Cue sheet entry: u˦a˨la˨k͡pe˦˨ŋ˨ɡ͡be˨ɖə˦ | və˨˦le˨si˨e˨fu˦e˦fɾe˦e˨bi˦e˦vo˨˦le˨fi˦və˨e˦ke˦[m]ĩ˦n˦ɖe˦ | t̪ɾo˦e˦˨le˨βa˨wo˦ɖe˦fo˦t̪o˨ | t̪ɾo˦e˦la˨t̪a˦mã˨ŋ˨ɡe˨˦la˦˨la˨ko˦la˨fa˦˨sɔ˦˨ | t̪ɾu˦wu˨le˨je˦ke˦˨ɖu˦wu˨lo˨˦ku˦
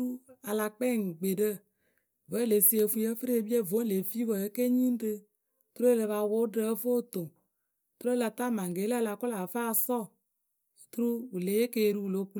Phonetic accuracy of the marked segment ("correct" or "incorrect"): incorrect